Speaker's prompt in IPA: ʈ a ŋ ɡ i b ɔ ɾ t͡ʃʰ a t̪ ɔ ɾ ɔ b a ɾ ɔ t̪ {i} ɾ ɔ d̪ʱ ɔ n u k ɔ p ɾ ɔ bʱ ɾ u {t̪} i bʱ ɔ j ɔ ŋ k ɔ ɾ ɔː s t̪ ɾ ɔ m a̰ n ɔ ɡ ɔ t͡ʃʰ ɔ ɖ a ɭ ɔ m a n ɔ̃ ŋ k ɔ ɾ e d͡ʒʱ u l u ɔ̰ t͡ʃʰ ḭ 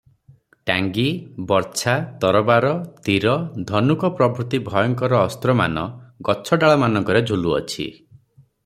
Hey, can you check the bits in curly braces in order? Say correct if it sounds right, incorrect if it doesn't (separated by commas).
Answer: correct, correct